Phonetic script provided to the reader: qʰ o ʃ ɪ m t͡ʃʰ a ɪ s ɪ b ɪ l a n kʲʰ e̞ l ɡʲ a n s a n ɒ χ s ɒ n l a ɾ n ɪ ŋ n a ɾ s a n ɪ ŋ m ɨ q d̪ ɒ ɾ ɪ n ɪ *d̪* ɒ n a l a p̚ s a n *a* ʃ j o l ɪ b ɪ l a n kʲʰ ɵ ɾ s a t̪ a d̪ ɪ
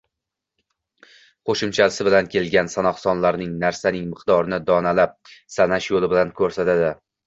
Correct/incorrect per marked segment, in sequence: correct, correct

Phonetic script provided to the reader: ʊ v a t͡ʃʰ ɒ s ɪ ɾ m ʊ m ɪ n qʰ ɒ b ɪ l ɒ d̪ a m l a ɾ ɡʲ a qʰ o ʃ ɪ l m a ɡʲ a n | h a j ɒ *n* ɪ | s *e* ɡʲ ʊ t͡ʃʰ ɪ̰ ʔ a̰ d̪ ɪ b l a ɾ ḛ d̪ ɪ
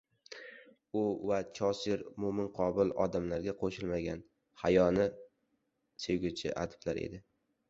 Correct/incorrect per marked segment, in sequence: correct, correct

